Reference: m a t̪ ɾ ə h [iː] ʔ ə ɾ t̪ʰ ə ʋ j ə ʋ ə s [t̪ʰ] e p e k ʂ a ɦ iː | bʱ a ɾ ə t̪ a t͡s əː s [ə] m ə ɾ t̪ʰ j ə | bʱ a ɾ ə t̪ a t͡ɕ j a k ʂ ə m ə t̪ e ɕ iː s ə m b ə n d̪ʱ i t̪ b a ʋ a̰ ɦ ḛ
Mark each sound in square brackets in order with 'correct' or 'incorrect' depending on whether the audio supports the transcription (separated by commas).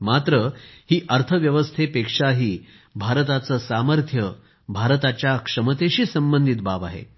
correct, correct, incorrect